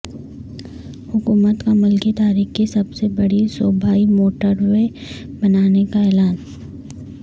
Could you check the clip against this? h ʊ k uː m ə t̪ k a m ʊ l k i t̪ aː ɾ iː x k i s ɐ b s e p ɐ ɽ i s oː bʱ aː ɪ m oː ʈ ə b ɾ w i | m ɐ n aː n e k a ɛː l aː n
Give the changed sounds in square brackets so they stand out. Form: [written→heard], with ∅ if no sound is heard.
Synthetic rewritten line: h ʊ k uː m ə t̪ k a m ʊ l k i t̪ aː ɾ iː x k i s ɐ b s e [p→b] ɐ ɽ i s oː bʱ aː [ɪ→i] m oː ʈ ə [b→∅] ɾ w [i→e] | [m→b] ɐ n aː n e k a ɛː l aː n